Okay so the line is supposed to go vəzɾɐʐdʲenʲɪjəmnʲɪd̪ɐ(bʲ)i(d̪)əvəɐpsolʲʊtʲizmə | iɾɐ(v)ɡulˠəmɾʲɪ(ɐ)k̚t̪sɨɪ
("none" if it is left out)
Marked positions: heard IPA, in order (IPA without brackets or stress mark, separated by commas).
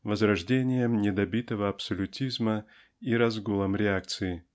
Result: bʲ, t̪, z, a